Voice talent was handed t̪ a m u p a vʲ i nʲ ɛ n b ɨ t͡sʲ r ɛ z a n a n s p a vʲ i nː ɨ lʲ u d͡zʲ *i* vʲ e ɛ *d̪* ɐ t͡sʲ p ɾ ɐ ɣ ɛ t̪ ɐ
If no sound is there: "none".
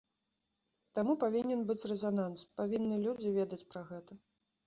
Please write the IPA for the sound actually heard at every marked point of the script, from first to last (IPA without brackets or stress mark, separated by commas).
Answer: i, d̪